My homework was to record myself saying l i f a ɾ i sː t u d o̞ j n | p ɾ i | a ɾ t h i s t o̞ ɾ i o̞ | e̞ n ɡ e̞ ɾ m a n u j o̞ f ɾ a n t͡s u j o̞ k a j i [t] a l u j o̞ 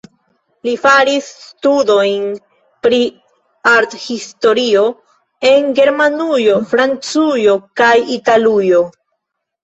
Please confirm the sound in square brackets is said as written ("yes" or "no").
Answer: yes